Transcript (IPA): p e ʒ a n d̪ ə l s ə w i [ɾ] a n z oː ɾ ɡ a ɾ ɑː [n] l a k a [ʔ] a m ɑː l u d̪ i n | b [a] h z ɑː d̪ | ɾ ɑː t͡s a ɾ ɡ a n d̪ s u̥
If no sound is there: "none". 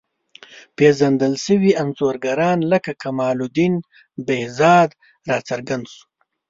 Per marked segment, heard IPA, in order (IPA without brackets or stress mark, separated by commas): none, n, k, e